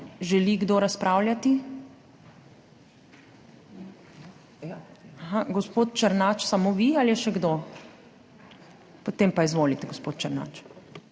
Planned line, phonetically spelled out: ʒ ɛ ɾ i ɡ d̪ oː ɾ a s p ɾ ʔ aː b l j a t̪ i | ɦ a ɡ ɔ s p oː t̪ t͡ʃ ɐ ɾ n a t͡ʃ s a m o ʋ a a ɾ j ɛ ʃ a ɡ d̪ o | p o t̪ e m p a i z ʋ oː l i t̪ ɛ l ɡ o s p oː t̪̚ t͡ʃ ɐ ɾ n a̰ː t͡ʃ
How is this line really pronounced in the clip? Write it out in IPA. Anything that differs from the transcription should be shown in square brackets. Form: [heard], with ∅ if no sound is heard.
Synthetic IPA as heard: ʒ ɛ [l] i ɡ d̪ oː ɾ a s p ɾ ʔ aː [w] l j a t̪ i | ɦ a ɡ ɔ s p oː t̪ t͡ʃ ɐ ɾ n a t͡ʃ s a m o ʋ [i] a [l] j ɛ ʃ [ɛ] ɡ d̪ o | p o t̪ e m p a i z ʋ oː l i t̪ ɛ [∅] ɡ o s p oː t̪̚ t͡ʃ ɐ ɾ n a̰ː t͡ʃ